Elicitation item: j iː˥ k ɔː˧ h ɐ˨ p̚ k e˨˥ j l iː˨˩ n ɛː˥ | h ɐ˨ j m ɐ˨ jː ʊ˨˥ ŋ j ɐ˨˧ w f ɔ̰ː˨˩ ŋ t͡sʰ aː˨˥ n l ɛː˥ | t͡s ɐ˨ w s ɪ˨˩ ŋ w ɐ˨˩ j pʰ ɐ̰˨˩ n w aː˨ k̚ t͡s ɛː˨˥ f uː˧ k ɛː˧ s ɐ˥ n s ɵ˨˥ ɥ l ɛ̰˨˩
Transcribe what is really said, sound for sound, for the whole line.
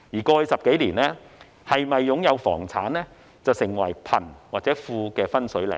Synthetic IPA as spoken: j iː˨˩ k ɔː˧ s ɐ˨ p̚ k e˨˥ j l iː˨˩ n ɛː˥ | h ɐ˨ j m ɐ˨ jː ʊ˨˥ ŋ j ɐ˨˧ w f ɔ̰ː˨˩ ŋ t͡sʰ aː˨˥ n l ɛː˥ | t͡s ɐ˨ w s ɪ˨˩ ŋ w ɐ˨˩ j pʰ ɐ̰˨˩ n w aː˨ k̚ t͡s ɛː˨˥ f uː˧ k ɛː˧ f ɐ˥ n s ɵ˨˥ ɥ l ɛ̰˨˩